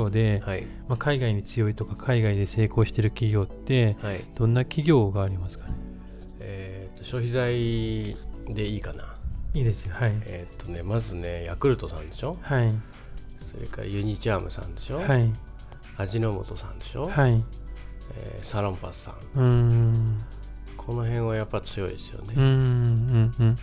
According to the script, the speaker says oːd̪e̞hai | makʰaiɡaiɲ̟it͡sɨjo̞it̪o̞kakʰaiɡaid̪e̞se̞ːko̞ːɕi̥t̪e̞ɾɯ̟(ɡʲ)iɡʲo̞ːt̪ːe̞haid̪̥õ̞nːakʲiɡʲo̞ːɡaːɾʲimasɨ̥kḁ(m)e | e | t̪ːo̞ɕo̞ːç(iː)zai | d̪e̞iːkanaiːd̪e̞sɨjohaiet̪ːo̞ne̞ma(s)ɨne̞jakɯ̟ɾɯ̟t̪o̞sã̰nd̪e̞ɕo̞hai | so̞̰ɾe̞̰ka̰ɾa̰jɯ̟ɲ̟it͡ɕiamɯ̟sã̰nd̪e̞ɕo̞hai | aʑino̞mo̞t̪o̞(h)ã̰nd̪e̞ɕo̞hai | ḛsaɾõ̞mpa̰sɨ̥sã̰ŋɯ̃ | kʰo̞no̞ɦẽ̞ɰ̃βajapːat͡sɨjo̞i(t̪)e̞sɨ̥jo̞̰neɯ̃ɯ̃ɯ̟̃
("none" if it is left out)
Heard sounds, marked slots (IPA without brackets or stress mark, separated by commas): kʲ, n, i, z, s, d̪